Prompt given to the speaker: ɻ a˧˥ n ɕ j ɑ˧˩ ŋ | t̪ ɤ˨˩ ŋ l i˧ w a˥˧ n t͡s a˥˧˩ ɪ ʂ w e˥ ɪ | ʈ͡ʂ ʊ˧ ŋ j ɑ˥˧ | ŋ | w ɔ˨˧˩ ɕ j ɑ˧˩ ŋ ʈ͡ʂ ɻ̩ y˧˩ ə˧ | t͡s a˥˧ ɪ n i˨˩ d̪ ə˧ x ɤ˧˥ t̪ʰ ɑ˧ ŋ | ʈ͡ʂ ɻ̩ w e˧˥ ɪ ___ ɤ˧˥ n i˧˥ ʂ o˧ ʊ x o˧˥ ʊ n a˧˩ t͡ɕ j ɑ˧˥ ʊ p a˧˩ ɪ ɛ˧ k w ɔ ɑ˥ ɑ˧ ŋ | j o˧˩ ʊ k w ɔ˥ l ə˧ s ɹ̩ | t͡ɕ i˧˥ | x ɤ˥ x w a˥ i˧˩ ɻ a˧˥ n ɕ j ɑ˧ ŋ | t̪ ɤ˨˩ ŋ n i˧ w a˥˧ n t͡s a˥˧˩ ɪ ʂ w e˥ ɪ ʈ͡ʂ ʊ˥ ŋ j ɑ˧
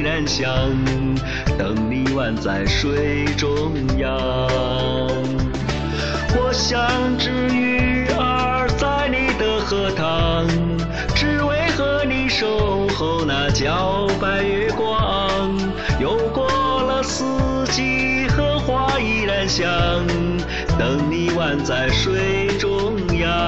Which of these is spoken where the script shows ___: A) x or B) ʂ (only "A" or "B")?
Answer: A